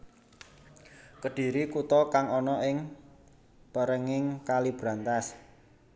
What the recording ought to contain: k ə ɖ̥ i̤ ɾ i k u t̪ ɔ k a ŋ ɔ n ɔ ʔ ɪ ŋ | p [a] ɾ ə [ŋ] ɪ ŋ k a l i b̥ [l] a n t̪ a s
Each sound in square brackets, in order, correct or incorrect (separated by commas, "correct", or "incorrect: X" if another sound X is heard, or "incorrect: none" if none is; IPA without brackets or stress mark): incorrect: ə, correct, incorrect: ɾ